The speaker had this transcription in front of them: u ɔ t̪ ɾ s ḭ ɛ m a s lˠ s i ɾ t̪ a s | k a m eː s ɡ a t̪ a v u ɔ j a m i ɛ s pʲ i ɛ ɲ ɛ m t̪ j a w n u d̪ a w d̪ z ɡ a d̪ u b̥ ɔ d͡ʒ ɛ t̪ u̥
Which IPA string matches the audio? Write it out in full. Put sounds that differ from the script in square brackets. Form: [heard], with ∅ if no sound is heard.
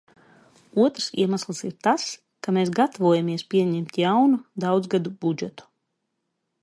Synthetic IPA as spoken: u ɔ t̪ ɾ s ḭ ɛ m a s lˠ s i ɾ t̪ a s | k a m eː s ɡ a t̪ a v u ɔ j a m i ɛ s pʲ i ɛ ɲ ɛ m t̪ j a w n u d̪ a w d̪ z ɡ a d̪ u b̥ [u] d͡ʒ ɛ t̪ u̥

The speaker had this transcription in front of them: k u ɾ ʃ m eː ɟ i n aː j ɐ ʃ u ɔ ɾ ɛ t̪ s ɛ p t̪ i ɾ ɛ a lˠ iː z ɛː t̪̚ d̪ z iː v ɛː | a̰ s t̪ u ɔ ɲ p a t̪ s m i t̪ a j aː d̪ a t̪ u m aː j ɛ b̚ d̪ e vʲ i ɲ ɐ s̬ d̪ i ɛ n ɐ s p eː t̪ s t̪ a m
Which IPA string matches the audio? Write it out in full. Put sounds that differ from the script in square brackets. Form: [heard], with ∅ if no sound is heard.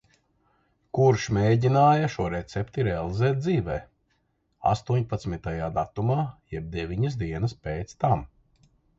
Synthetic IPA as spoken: k u ɾ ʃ m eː ɟ i n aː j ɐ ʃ u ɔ ɾ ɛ t̪ s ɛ p t̪ i ɾ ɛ a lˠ [i] z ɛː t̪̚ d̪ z iː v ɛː | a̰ s t̪ u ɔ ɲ p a t̪ s m i t̪ a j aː d̪ a t̪ u m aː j ɛ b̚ d̪ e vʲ i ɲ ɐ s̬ d̪ i ɛ n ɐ s p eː t̪ s t̪ a m

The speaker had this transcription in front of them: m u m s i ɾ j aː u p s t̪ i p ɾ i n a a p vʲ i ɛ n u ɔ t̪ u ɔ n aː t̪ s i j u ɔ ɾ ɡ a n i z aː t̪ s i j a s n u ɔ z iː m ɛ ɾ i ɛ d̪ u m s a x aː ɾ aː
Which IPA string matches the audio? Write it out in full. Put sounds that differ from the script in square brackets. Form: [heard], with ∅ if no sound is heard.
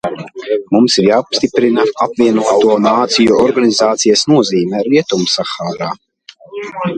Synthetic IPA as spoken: m u m s i ɾ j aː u p s t̪ i p ɾ i n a a p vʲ i ɛ n u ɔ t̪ u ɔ n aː t̪ s i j u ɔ ɾ ɡ a n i z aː t̪ s i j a s n u ɔ z iː m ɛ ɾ i ɛ [t̪] u m s a x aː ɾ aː

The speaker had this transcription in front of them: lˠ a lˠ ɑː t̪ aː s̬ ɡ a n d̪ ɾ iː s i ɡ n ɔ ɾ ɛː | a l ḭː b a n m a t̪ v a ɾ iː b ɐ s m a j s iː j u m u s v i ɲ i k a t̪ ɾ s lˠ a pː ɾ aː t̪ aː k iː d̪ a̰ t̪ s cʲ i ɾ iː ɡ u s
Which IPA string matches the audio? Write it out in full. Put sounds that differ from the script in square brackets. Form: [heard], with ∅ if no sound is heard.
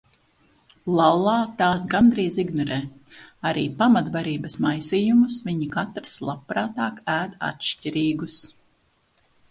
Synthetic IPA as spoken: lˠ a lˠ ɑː t̪ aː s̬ ɡ a n d̪ ɾ iː [z] i ɡ n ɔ ɾ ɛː | a [ɾ] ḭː [p] a [∅] m a t̪ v a ɾ iː b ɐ s m a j s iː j u m u s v i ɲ i k a t̪ ɾ s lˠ a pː ɾ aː t̪ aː k [æː] d̪ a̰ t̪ [ʃ] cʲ i ɾ iː ɡ u s

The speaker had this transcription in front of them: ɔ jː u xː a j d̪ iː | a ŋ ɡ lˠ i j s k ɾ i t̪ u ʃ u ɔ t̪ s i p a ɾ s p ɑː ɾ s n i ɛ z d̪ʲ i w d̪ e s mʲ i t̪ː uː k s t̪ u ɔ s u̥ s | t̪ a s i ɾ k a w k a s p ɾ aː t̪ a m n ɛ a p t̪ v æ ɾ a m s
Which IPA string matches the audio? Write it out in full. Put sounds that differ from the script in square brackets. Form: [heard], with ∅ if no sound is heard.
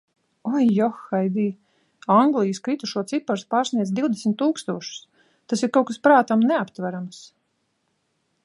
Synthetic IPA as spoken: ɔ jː [ɔ] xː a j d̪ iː | a ŋ ɡ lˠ i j s k ɾ i t̪ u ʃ u ɔ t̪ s i p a ɾ s p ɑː ɾ s n i ɛ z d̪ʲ i w d̪ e s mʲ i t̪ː uː k s t̪ u ɔ [ʃ] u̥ s | t̪ a s i ɾ k a w k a s p ɾ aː t̪ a m n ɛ a p t̪ v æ ɾ a m s

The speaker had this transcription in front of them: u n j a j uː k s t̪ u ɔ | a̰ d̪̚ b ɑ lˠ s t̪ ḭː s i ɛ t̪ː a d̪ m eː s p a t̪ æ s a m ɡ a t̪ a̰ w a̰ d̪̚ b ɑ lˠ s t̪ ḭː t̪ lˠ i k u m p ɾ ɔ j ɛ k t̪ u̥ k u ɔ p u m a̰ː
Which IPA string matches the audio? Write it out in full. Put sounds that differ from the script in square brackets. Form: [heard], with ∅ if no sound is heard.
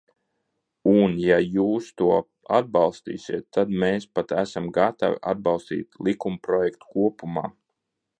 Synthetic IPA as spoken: u n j a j uː [∅] s t̪ u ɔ | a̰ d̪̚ b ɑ lˠ s t̪ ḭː s i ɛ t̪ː a d̪ m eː s p a t̪ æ s a m ɡ a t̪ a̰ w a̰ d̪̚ b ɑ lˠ s t̪ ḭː t̪ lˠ i k u m p ɾ ɔ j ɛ k t̪ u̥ k u ɔ p u m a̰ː

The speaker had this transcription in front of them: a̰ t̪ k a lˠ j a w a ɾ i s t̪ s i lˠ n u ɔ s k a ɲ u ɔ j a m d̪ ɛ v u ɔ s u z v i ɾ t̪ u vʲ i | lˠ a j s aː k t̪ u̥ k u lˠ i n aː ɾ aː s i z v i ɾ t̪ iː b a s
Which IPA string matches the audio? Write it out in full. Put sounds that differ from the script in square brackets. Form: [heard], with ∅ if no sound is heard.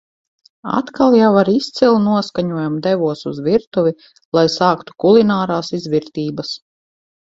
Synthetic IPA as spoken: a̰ t̪ k a lˠ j a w a ɾ i s t̪ s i lˠ n u ɔ s k a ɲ u ɔ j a m d̪ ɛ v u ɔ s u z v i ɾ t̪ u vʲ i | lˠ a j s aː k t̪ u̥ k u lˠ i n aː ɾ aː s i z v i ɾ t̪ iː b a s

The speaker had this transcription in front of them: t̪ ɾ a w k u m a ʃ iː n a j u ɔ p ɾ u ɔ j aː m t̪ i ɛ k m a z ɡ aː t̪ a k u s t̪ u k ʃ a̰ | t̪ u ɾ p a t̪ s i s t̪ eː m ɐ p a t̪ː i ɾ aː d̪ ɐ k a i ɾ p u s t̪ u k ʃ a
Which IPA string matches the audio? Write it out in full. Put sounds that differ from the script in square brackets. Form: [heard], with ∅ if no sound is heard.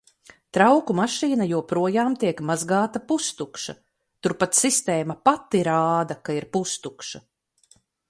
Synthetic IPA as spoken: t̪ ɾ a w k u m a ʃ iː n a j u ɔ p ɾ u ɔ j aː m t̪ i ɛ k m a z ɡ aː t̪ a [p] u s t̪ u k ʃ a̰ | t̪ u ɾ p a t̪ s i s t̪ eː m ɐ p a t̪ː i ɾ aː d̪ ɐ k a i ɾ p u s t̪ u k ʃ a

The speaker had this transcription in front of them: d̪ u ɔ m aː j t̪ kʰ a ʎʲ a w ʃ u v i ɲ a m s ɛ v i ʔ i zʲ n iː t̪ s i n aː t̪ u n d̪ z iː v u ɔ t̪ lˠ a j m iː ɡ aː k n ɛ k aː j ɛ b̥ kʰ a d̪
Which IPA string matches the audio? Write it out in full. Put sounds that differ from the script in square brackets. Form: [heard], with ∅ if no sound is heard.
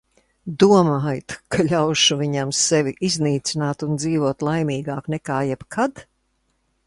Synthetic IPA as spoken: d̪ u ɔ m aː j t̪ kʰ a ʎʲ a w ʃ u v i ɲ a m s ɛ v i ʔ i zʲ n iː t̪ s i n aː t̪ u n d̪ z iː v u ɔ t̪ lˠ a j m iː ɡ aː k n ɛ k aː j ɛ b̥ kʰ a d̪

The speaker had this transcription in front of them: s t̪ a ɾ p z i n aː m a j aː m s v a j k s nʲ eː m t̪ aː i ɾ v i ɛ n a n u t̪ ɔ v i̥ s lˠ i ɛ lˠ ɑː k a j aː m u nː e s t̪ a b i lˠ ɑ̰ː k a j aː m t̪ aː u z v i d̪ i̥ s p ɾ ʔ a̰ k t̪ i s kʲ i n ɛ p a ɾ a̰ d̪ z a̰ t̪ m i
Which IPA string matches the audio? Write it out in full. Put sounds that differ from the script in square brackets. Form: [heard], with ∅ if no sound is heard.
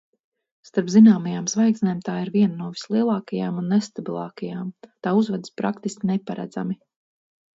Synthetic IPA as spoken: s t̪ a ɾ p z i n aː m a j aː m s v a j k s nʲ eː m t̪ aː i ɾ v i ɛ n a n u [∅] ɔ v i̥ s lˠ i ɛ lˠ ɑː k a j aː m u nː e s t̪ a b i lˠ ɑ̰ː k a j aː m t̪ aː u z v [a] d̪ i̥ s p ɾ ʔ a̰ k t̪ i s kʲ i n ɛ p a ɾ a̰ d̪ z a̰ [∅] m i

